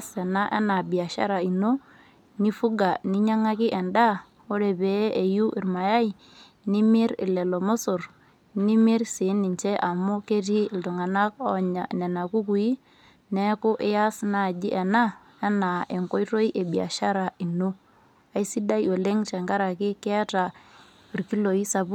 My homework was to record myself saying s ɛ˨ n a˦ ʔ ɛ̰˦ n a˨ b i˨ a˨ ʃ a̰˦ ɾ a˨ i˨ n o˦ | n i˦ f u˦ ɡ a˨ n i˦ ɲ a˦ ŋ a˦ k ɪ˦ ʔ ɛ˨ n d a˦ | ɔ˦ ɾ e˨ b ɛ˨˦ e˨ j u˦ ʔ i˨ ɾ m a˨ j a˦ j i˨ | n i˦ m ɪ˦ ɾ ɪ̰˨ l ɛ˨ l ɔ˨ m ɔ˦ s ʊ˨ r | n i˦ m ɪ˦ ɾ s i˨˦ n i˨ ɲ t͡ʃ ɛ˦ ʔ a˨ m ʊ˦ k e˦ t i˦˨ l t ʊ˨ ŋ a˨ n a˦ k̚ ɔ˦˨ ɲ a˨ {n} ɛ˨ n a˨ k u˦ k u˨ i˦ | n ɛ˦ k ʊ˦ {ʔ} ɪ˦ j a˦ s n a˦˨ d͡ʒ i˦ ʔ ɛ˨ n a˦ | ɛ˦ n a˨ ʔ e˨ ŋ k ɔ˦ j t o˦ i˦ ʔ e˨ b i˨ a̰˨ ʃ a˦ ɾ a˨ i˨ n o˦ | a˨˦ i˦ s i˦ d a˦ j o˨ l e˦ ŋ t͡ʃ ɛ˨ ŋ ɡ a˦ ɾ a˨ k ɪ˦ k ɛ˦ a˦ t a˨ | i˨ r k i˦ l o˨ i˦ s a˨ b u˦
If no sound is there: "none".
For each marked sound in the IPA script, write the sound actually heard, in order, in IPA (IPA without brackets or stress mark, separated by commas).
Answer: n, ʔ